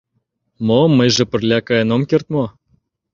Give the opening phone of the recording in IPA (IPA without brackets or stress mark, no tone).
m